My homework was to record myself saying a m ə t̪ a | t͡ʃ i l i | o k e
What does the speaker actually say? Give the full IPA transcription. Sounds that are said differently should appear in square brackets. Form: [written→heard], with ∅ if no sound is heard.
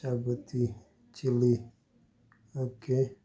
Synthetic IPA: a [m→b] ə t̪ [a→i] | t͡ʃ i l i | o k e